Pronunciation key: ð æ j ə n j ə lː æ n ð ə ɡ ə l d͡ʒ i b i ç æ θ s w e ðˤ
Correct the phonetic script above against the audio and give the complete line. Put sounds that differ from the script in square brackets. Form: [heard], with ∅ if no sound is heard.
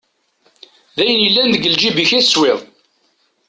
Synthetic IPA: ð æ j ə n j ə lː æ n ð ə ɡ ə l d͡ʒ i b i ç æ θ s w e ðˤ